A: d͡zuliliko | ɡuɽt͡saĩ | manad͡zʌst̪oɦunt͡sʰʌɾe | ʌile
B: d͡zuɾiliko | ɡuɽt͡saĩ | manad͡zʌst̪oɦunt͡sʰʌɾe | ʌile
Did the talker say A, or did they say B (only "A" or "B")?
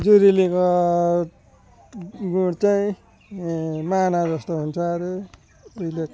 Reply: B